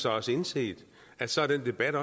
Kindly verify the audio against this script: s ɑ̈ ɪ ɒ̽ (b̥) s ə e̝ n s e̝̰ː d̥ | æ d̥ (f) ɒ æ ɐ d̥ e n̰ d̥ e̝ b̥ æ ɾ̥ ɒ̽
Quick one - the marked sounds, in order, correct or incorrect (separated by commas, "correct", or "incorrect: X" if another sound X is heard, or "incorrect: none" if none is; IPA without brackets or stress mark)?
incorrect: none, incorrect: s